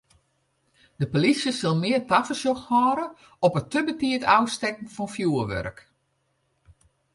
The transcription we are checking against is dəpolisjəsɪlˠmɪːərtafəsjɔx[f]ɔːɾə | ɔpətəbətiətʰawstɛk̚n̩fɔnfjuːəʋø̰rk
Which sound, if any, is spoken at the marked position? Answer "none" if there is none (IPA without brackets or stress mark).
h